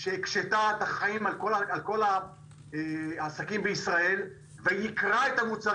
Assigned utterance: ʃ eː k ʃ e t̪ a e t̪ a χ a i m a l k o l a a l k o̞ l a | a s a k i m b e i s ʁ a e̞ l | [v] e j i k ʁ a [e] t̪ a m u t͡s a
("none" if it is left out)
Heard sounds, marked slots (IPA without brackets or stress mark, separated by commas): v, e